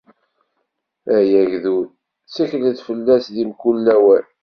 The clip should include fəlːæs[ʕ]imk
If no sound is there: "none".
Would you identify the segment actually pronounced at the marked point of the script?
ð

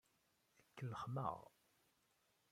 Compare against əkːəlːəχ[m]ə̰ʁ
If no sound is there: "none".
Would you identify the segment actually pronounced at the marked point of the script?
m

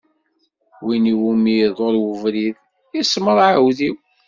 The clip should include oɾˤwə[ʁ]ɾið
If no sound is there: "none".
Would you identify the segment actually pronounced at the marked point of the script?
v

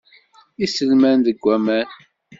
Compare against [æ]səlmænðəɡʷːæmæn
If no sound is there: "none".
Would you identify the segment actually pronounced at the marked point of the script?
i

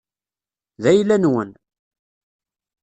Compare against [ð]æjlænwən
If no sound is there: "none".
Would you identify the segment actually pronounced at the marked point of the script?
ð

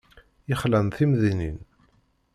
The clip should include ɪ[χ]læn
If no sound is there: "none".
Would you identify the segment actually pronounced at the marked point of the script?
χ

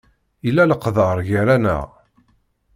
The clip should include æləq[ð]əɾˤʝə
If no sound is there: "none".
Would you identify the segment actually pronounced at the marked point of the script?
ð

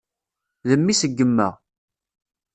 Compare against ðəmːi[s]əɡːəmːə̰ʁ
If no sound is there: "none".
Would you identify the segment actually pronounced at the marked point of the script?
s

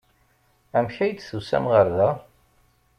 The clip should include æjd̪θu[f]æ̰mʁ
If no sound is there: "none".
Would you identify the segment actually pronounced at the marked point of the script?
s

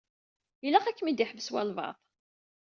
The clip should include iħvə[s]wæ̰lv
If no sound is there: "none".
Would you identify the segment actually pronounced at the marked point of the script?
s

